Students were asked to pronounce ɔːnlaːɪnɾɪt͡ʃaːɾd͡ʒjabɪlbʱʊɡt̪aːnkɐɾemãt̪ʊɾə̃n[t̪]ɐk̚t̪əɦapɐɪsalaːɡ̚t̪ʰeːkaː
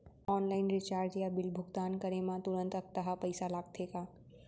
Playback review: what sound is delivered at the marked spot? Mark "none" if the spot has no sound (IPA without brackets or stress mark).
t̪